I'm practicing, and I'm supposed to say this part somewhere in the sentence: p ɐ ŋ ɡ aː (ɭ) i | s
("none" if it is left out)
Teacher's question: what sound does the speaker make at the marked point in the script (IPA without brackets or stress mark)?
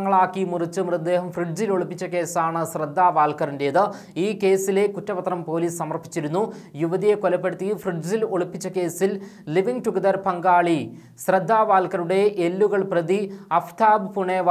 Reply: ɭ